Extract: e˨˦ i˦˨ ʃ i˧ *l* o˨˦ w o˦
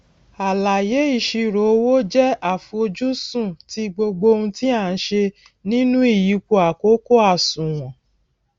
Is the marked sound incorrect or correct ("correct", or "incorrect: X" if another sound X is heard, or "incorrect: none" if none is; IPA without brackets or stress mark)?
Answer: incorrect: ɾ